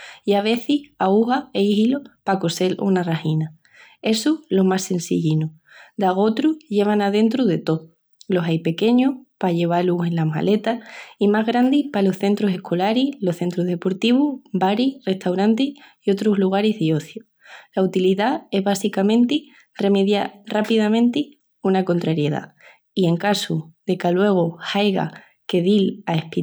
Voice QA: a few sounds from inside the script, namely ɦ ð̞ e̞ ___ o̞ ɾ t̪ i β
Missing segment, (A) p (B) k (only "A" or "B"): A